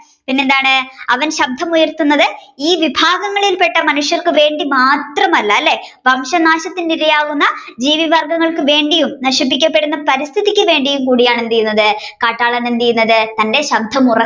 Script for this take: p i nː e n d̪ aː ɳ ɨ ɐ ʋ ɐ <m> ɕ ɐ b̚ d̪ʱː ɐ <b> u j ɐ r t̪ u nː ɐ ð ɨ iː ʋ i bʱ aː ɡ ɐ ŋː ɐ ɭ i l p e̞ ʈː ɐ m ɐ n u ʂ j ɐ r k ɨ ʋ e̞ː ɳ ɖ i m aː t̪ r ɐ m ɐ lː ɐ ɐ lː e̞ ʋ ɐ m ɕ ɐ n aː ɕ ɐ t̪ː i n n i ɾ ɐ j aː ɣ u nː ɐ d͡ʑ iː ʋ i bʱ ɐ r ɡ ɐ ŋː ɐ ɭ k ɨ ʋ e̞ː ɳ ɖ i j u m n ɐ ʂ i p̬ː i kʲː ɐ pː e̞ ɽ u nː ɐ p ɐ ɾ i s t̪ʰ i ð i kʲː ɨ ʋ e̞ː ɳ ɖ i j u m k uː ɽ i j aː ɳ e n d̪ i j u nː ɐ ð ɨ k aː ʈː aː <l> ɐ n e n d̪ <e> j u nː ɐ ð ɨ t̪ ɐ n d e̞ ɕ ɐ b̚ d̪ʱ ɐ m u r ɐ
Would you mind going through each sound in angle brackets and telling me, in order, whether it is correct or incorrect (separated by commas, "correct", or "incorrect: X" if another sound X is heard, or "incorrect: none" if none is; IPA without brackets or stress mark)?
incorrect: n, incorrect: m, incorrect: ɭ, incorrect: i